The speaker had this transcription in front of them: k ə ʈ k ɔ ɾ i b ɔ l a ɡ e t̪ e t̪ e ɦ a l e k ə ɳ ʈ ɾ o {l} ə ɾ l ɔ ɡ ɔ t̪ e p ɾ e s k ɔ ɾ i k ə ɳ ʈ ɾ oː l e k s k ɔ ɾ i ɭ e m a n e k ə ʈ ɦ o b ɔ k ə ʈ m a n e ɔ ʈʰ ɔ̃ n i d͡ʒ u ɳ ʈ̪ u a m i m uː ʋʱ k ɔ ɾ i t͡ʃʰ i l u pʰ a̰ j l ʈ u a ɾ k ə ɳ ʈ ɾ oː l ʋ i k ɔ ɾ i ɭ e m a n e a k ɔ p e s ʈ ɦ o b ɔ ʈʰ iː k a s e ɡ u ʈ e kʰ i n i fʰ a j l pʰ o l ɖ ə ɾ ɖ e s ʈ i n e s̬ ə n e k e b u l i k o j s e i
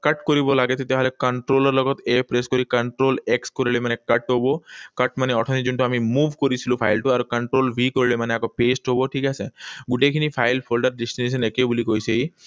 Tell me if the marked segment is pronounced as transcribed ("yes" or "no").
yes